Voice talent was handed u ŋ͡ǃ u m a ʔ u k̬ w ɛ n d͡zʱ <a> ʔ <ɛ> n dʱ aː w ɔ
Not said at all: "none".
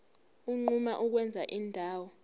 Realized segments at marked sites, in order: a, i

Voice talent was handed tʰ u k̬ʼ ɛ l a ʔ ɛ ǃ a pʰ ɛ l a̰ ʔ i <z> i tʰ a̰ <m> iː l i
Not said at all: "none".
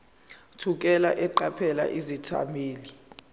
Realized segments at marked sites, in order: z, m

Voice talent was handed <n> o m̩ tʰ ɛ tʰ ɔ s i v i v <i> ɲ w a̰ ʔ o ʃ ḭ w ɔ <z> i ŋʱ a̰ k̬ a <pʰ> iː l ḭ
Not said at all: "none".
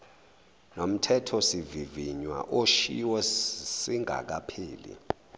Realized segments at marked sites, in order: n, i, s, pʰ

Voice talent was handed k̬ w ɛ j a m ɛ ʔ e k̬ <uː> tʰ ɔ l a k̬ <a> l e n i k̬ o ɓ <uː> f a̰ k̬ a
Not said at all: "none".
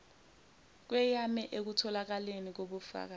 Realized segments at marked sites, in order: u, a, u

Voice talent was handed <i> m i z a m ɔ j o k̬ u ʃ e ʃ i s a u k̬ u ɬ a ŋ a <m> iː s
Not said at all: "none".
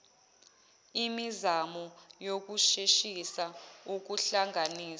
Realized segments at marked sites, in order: i, n

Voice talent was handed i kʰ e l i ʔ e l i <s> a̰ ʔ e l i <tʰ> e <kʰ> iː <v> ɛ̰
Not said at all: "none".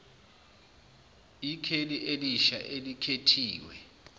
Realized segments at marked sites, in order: ʃ, kʰ, tʰ, w

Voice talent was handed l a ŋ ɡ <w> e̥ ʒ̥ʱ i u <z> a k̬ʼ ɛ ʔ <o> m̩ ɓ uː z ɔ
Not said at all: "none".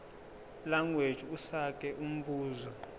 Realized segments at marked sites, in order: w, s, u

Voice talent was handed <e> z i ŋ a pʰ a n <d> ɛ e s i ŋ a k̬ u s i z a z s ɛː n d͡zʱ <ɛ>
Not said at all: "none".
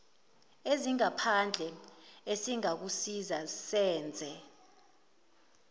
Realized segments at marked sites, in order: e, d͡ɮʱ, ɛ

